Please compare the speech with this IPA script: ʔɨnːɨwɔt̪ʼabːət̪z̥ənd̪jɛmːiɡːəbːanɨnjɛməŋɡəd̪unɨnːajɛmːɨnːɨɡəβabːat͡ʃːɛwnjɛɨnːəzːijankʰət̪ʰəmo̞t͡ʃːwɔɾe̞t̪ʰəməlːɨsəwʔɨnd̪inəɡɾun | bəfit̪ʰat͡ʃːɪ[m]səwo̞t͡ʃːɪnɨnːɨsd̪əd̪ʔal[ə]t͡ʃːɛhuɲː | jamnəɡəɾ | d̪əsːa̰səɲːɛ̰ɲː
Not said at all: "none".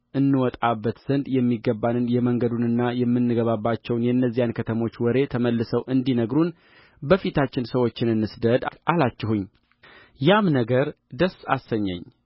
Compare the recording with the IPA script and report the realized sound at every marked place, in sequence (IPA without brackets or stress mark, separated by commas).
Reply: n, a